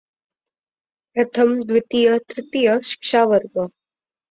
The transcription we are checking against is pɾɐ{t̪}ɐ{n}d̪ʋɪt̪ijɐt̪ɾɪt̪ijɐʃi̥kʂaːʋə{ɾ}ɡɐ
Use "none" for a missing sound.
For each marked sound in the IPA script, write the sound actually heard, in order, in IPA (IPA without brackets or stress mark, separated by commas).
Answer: t̪ʰ, m, ɾ